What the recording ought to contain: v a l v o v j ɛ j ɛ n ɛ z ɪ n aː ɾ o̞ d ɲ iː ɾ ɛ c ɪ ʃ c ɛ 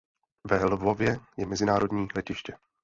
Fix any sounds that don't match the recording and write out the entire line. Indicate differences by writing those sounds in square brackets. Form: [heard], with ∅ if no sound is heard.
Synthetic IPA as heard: v [ɛ] l v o v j ɛ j ɛ [m] ɛ z ɪ n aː ɾ o̞ d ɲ iː [l] ɛ c ɪ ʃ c ɛ

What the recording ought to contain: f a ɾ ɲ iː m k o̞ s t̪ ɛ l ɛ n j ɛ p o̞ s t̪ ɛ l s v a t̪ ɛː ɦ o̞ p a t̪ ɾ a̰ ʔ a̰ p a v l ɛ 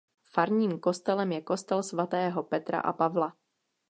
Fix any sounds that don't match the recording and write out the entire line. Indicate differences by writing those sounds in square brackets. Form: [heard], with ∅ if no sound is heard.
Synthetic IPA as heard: f a ɾ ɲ iː m k o̞ s t̪ ɛ l ɛ [m] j ɛ [k] o̞ s t̪ ɛ l s v a t̪ ɛː ɦ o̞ p [ɛ] t̪ ɾ a̰ ʔ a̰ p a v l [a]

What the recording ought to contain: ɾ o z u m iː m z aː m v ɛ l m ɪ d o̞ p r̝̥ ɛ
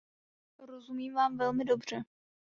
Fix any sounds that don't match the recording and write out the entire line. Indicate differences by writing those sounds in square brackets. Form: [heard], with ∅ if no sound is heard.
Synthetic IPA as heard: ɾ o z u m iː m [v] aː m v ɛ l m ɪ d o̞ [b] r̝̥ ɛ

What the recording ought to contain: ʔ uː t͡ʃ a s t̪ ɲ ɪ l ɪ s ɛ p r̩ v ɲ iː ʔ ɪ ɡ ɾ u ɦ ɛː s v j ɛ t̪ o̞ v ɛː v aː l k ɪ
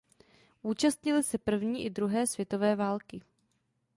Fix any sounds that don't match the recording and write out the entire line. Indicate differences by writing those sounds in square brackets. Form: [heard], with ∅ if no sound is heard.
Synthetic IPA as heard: ʔ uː t͡ʃ a s t̪ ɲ ɪ l ɪ s ɛ p r̩ v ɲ iː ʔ ɪ [d] ɾ u ɦ ɛː s v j ɛ t̪ o̞ v ɛː v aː l k ɪ

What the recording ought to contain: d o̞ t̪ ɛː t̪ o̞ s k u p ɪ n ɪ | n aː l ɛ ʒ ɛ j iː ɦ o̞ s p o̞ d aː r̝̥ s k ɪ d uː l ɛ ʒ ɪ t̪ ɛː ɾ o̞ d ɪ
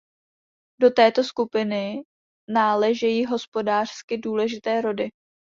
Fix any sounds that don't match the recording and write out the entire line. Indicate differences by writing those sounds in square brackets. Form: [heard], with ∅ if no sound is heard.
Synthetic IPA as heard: d o̞ t̪ ɛː t̪ o̞ s k u p ɪ n ɪ | n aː l ɛ ʒ ɛ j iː ɦ o̞ s p o̞ d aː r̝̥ s k ɪ d uː l ɛ ʒ ɪ t̪ ɛː ɾ o̞ d ɪ

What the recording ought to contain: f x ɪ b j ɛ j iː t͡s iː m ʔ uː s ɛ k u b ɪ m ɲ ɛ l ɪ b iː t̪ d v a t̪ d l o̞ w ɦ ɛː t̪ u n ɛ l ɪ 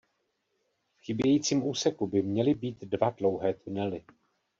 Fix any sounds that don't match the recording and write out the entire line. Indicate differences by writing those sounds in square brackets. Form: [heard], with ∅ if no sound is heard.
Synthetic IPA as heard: f x ɪ b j ɛ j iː t͡s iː m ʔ uː s ɛ k u b ɪ m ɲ ɛ l ɪ b iː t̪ d v a [∅] d l o̞ w ɦ ɛː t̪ u n ɛ l ɪ

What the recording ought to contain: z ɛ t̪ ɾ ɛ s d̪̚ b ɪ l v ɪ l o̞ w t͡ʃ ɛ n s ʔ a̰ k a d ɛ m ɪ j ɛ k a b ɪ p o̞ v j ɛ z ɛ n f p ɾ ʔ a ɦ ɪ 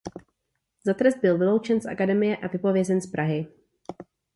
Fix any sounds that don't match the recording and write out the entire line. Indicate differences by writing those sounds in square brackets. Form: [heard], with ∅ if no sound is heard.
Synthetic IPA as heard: z [a] t̪ ɾ ɛ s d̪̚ b ɪ l v ɪ l o̞ w t͡ʃ ɛ n s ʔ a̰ k a d ɛ m ɪ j ɛ [ʔ] a [v] ɪ p o̞ v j ɛ z ɛ n [s] p ɾ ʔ a ɦ ɪ

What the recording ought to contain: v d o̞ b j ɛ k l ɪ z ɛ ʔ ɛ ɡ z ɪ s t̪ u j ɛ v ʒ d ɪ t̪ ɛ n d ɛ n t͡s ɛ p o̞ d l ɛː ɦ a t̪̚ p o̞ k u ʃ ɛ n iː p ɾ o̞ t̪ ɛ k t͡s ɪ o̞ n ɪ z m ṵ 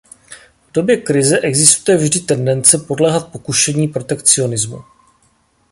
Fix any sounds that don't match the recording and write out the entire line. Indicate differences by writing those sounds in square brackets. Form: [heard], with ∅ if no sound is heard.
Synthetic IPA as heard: v d o̞ b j ɛ k [ɾ] ɪ z ɛ ʔ ɛ ɡ z ɪ s t̪ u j ɛ v ʒ d ɪ t̪ ɛ n d ɛ n t͡s ɛ p o̞ d l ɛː ɦ a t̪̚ p o̞ k u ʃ ɛ [ɲ] iː p ɾ o̞ t̪ ɛ k t͡s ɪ o̞ n ɪ z m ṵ

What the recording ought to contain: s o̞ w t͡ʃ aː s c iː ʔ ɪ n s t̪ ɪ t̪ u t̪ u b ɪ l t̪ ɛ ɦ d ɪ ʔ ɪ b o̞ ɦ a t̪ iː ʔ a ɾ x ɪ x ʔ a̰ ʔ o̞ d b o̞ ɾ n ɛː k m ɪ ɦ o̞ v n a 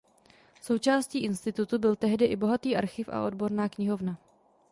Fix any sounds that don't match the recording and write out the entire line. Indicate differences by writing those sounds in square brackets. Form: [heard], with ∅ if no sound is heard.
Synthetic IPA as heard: s o̞ w t͡ʃ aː s c iː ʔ ɪ n s t̪ ɪ t̪ u t̪ u b ɪ l t̪ ɛ ɦ d ɪ ʔ ɪ b o̞ ɦ a t̪ iː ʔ a ɾ x ɪ [f] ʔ a̰ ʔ o̞ d b o̞ ɾ n [aː] k [ɲ] ɪ ɦ o̞ v n a

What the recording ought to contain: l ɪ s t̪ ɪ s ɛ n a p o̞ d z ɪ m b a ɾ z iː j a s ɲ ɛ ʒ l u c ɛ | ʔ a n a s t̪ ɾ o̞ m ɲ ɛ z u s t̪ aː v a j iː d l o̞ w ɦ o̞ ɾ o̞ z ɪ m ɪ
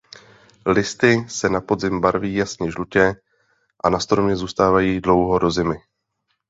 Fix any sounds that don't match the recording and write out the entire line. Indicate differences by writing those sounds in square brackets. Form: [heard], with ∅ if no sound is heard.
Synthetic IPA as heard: l ɪ s t̪ ɪ s ɛ n a p o̞ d z ɪ m b a ɾ [v] iː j a s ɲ ɛ ʒ l u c ɛ | ʔ a n a s t̪ ɾ o̞ m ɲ ɛ z [uː] s t̪ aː v a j iː d l o̞ w ɦ o̞ ɾ o̞ z ɪ m ɪ

